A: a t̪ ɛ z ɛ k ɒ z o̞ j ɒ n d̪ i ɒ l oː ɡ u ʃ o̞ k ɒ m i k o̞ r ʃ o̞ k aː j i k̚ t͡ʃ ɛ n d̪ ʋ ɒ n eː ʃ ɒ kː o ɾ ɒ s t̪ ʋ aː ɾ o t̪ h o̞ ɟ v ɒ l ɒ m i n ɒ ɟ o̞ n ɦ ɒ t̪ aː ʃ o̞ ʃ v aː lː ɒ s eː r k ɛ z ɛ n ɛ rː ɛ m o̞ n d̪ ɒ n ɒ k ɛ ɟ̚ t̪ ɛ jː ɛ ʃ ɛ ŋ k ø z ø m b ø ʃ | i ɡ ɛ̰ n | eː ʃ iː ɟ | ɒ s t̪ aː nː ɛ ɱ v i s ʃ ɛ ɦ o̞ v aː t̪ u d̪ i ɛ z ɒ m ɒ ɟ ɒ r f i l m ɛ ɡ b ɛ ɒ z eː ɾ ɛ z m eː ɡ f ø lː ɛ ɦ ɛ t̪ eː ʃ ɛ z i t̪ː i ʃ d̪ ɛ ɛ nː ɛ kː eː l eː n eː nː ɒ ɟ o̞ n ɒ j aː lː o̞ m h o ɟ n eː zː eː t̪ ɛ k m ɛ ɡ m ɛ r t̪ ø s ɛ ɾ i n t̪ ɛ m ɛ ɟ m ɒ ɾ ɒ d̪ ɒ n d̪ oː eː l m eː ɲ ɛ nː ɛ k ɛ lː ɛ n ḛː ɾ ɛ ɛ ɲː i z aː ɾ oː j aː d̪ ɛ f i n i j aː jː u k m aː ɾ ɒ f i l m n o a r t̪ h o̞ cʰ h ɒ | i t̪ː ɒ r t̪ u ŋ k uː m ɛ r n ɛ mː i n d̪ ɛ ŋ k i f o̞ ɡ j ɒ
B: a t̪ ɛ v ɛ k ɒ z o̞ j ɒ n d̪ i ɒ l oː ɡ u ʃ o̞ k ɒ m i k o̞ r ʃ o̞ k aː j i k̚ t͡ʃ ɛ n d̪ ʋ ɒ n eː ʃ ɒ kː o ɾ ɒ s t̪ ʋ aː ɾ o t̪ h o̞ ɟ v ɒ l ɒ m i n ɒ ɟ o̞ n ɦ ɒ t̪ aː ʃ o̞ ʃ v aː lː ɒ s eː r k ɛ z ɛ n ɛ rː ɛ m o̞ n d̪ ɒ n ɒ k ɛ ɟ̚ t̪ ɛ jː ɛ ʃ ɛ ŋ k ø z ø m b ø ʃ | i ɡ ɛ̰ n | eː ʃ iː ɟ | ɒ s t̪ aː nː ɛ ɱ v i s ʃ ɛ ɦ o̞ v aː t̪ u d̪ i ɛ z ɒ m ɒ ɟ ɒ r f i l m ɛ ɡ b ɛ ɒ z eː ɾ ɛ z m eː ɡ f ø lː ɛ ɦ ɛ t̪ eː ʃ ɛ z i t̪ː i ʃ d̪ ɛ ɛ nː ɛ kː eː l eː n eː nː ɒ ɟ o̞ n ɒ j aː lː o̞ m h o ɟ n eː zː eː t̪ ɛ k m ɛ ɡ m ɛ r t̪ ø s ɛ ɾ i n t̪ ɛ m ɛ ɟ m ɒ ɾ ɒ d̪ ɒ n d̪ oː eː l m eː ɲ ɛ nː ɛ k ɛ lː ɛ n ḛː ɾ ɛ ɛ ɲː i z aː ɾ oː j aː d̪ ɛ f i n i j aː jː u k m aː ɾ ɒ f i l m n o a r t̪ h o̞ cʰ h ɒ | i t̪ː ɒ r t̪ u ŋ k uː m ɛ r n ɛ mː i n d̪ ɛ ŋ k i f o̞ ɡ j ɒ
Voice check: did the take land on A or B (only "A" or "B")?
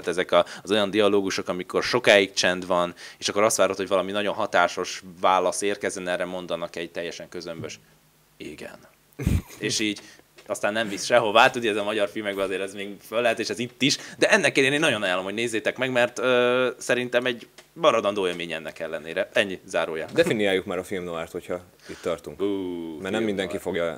A